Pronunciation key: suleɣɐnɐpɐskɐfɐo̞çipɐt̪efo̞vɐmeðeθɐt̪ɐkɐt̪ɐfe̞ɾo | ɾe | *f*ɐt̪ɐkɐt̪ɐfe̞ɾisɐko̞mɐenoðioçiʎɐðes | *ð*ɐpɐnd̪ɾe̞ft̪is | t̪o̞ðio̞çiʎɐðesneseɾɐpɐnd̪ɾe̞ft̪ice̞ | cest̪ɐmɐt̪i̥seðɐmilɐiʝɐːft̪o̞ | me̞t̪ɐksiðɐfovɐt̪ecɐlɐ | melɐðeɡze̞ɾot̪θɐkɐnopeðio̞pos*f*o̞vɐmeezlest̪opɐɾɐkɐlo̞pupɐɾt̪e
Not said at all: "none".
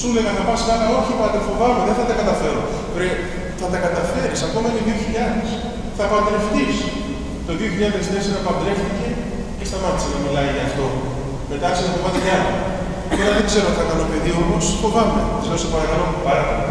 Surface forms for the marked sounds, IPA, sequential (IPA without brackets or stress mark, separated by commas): θ, θ, f